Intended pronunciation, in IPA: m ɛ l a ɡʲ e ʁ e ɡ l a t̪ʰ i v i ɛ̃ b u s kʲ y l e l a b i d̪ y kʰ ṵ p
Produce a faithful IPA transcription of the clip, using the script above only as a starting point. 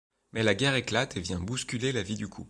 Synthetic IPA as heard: m ɛ l a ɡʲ ɛ ʁ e k l a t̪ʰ e v j ɛ̃ b u s kʲ y l e l a v i d̪ y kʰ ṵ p